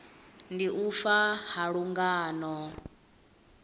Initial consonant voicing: voiced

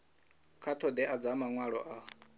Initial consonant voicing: voiceless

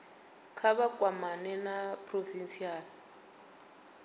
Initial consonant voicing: voiceless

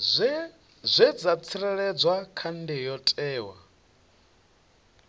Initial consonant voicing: voiced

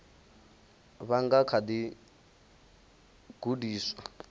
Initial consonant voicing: voiced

